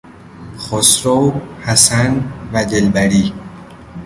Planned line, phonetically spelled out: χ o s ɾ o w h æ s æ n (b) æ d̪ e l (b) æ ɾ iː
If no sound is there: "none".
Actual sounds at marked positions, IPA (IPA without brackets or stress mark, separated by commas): v, b